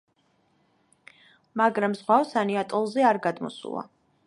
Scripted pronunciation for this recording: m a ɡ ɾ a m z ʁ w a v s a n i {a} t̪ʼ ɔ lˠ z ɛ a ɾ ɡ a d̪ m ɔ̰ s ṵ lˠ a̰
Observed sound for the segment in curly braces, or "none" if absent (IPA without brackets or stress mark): a